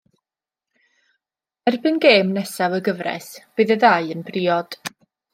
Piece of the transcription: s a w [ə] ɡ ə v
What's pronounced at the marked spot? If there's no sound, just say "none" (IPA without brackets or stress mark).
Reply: ə